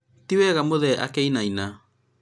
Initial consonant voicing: voiceless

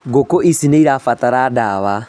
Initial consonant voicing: voiced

